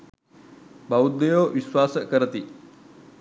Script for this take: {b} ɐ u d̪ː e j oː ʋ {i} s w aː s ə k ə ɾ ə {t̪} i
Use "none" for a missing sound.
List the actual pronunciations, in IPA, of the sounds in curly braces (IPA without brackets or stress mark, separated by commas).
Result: b, i, t̪